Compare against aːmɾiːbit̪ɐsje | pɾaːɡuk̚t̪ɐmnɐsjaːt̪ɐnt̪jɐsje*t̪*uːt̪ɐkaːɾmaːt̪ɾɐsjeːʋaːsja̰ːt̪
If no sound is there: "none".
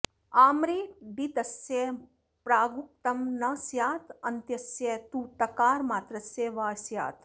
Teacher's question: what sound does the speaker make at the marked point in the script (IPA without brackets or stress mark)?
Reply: t̪